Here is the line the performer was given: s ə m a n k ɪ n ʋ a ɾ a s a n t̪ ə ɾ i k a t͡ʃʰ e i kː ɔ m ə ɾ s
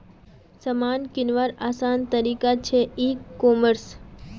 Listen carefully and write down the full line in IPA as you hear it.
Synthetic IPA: s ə m a n k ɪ n ʋ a ɾ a s a n t̪ ə ɾ i k a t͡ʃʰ e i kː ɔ m ə ɾ s